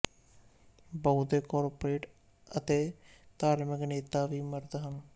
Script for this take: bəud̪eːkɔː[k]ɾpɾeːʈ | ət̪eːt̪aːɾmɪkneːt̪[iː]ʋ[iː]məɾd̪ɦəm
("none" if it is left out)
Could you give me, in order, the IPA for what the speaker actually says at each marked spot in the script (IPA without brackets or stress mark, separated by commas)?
none, aː, iː